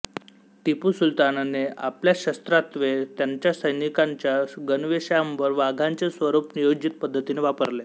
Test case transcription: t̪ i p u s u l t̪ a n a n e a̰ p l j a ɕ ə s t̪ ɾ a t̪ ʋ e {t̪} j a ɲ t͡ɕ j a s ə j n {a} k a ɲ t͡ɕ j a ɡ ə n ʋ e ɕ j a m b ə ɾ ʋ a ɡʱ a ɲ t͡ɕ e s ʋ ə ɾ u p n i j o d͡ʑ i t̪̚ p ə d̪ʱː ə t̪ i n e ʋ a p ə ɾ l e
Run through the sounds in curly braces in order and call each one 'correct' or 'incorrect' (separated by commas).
correct, incorrect